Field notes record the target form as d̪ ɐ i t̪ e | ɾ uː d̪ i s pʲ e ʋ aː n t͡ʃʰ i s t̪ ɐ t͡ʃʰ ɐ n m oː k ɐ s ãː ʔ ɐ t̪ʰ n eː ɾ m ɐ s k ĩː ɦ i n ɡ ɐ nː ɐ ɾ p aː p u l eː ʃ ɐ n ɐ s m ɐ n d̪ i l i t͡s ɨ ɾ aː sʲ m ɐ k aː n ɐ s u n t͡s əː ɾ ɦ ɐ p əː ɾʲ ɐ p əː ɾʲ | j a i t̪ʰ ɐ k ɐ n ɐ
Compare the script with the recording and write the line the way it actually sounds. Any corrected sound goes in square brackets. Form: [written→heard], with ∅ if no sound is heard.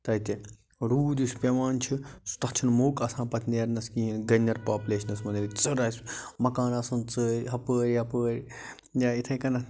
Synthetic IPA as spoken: [d̪→t̪] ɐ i t̪ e | ɾ uː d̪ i s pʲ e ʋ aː n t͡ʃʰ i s t̪ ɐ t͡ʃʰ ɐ n m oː k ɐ s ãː [ʔ→p] ɐ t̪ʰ n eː ɾ [m→n] ɐ s k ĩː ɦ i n ɡ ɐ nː ɐ ɾ p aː p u l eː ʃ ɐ n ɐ s m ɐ n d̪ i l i t͡s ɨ ɾ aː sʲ m ɐ k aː n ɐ s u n t͡s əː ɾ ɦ ɐ p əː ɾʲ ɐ p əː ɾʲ | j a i t̪ʰ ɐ k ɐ n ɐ